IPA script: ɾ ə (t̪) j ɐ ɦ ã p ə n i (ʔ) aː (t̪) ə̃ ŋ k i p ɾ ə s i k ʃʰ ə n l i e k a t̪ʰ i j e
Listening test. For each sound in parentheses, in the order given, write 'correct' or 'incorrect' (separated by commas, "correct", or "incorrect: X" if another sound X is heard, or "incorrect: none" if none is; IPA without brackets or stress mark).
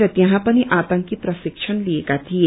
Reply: correct, correct, correct